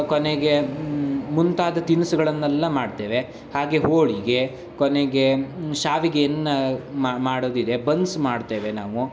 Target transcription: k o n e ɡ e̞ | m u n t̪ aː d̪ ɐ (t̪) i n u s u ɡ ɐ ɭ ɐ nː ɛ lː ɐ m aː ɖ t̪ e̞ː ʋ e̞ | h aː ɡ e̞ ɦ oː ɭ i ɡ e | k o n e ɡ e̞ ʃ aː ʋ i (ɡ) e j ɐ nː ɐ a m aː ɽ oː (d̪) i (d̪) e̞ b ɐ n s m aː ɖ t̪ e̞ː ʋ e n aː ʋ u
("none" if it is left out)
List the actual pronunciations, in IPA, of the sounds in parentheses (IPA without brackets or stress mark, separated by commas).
t̪, ɡ, d̪, d̪